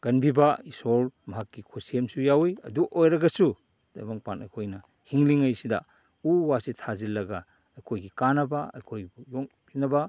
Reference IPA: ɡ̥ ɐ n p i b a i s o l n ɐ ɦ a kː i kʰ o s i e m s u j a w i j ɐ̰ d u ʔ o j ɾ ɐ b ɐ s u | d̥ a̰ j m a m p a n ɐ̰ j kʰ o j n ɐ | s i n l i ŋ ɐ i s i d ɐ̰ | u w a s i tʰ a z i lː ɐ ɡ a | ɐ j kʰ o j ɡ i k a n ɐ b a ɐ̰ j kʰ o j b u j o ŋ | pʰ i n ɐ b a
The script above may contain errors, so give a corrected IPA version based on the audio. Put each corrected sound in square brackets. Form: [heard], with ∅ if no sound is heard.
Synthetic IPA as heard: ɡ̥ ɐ n [b] i b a i s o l [m] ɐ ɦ a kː i kʰ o s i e m s u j a w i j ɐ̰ d u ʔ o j ɾ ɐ [ɡ] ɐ s u | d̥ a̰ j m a [ŋ] p a n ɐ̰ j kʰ o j n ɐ | [h] i [ŋ] l i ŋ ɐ [j] s i d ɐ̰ | u w a s i tʰ a z i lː ɐ ɡ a | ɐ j kʰ o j ɡ i k a n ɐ b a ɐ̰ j kʰ o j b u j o ŋ | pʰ i n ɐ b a